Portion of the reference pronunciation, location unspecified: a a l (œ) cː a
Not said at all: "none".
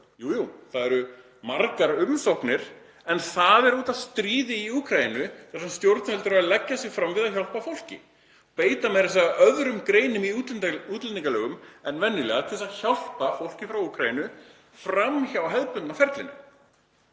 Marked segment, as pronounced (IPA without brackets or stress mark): ɛ